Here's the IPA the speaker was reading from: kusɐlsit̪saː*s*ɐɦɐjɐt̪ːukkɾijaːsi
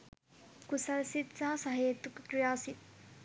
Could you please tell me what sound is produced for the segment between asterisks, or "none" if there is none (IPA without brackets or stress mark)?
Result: s